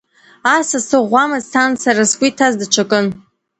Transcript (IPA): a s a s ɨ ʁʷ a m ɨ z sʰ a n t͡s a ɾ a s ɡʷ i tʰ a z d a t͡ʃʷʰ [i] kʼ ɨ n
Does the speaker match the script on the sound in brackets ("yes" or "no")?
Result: no